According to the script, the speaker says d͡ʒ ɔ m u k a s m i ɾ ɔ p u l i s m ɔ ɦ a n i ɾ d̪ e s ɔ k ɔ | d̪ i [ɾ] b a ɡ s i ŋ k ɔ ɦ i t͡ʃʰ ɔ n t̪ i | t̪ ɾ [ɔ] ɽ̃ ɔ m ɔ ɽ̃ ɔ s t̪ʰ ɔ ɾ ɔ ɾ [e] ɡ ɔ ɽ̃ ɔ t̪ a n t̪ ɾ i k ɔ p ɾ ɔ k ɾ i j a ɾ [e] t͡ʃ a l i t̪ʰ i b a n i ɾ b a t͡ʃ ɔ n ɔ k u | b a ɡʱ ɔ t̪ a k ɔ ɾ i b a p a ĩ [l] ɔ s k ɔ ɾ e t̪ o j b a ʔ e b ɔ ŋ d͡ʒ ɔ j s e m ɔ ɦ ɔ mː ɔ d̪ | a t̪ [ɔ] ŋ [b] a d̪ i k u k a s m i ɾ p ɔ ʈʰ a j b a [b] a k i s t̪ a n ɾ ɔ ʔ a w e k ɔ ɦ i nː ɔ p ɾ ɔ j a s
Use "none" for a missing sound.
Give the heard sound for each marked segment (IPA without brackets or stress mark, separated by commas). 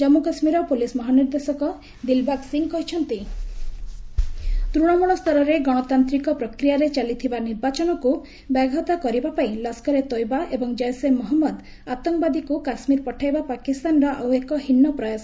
l, u, e, e, l, ɔ, b, p